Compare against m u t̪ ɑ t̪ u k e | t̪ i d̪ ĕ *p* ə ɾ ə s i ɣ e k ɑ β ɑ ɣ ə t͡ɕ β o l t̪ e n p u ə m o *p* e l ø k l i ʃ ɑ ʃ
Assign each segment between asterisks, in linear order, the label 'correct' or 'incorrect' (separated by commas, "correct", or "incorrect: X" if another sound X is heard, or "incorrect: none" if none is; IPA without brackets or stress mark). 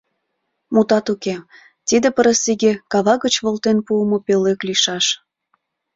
correct, correct